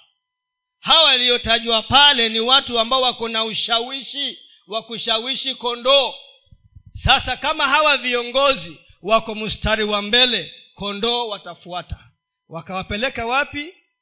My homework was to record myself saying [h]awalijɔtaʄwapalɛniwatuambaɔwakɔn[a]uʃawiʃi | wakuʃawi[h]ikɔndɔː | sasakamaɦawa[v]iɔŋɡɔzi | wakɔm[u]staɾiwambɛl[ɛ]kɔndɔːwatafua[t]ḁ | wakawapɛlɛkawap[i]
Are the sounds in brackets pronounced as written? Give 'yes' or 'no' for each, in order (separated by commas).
yes, yes, no, yes, yes, yes, yes, yes